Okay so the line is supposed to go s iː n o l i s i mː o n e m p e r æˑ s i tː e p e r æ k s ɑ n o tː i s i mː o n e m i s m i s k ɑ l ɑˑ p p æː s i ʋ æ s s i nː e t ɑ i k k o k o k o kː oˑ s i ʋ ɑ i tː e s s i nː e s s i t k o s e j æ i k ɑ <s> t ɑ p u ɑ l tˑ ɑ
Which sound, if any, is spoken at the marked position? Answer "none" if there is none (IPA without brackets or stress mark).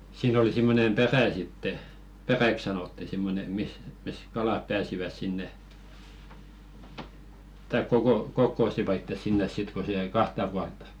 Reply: h